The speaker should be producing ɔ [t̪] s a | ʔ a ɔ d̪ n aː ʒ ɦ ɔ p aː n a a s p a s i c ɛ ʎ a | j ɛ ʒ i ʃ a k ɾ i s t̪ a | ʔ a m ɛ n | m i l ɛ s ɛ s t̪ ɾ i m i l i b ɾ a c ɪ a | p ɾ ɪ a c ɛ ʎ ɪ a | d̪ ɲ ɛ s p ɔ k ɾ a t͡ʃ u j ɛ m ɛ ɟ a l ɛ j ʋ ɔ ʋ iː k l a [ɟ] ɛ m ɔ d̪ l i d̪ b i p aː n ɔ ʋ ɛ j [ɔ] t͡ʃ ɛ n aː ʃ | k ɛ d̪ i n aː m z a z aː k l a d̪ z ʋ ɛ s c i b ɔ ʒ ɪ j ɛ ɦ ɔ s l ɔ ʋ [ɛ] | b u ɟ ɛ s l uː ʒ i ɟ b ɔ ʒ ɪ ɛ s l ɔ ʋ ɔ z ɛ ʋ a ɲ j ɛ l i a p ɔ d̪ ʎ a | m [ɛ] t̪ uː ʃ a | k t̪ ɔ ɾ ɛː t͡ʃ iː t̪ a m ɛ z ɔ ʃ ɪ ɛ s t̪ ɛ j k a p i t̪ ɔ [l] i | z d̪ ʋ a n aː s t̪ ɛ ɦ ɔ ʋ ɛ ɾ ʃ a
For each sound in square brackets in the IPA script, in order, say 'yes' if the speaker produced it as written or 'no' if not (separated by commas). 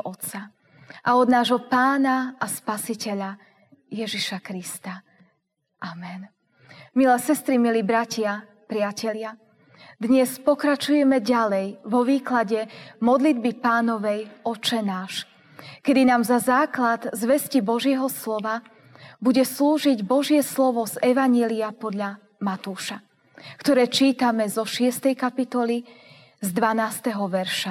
yes, yes, yes, no, no, yes